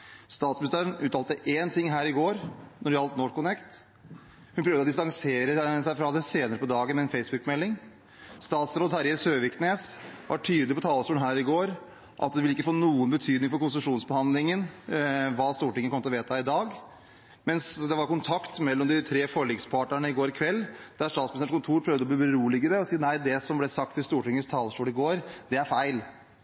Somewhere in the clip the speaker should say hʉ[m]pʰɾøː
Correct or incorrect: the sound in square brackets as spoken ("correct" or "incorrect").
incorrect